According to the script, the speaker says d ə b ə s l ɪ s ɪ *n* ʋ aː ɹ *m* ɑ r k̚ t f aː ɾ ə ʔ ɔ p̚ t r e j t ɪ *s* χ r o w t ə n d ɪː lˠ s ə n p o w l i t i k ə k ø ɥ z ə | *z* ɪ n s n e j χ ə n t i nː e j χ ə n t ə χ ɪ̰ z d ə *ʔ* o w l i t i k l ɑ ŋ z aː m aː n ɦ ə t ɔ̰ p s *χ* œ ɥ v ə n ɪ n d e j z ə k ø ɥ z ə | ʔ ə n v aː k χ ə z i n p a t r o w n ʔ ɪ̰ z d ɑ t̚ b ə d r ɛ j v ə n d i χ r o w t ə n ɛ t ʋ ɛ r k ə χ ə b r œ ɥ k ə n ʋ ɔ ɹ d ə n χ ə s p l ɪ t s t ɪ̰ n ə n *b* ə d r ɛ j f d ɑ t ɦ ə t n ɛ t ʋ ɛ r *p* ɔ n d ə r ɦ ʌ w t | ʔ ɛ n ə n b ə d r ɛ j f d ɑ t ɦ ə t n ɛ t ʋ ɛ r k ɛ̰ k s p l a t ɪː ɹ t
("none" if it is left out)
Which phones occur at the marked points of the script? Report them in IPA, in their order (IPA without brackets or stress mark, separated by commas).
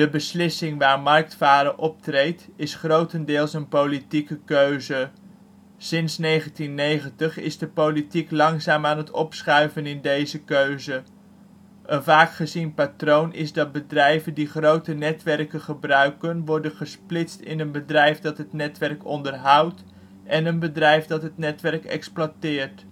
ŋ, m, s, s, p, χ, b, k